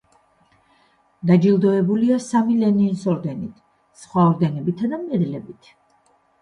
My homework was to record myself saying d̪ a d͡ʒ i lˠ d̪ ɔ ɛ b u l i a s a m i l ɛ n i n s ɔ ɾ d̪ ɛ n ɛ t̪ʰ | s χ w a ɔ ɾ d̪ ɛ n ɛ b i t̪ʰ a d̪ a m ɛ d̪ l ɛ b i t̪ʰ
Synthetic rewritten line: d̪ a d͡ʒ i lˠ d̪ ɔ ɛ b u l i a s a m i l ɛ n i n s ɔ ɾ d̪ ɛ n i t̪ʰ | s χ w a ɔ ɾ d̪ ɛ n ɛ b i t̪ʰ a d̪ a m ɛ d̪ l ɛ b i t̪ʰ